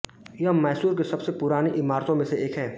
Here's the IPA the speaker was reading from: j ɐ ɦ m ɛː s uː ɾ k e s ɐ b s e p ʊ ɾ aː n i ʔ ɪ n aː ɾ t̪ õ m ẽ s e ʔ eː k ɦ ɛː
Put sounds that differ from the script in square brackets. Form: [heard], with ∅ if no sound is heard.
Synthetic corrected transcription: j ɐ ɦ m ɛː s uː ɾ k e s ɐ b s e p ʊ ɾ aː n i ʔ ɪ [m] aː ɾ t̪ õ m ẽ s e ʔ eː k ɦ ɛː